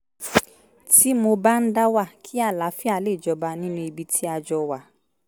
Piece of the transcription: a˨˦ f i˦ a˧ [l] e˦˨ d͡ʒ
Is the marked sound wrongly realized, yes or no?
no